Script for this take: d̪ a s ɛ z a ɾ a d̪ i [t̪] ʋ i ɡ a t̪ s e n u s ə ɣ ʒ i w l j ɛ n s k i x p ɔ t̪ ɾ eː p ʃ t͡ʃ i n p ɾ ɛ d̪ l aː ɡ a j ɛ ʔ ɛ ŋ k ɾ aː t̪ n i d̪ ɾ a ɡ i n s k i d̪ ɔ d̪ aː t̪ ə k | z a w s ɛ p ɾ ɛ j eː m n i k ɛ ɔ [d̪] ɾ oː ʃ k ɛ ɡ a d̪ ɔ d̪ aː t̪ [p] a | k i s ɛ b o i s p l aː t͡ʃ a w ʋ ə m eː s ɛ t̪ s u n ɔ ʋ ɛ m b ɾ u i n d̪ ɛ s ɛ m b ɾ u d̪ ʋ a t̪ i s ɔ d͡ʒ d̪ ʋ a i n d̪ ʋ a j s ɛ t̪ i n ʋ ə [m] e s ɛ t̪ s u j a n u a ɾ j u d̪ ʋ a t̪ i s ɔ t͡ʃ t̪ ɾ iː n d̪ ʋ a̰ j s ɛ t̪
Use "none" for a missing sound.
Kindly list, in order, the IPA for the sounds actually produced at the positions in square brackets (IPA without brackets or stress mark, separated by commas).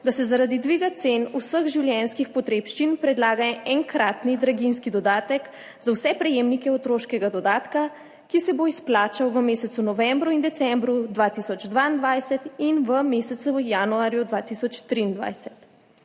d̪, t̪, k, m